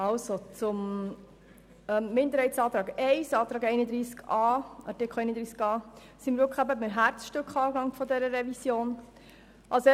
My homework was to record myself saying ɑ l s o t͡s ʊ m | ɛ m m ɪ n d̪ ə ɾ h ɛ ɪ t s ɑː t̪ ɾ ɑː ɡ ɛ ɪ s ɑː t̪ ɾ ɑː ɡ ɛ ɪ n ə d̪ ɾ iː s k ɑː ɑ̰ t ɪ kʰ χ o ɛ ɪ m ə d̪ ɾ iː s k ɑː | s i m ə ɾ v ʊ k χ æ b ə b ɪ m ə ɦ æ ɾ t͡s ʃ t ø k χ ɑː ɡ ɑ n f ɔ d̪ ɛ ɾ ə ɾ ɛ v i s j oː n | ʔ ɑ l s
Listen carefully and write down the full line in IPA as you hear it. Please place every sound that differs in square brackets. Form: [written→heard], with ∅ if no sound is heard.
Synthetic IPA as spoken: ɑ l s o t͡s ʊ m | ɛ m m ɪ n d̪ ə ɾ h ɛ ɪ t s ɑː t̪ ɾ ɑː ɡ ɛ ɪ s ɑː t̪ ɾ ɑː ɡ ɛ ɪ n ə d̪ ɾ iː s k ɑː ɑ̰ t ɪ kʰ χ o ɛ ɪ [m→n] ə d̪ ɾ iː s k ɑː | s i m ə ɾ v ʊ k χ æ b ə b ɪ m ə ɦ æ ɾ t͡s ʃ t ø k χ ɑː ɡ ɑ [n→ŋ] f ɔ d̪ ɛ ɾ ə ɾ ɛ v i s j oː n | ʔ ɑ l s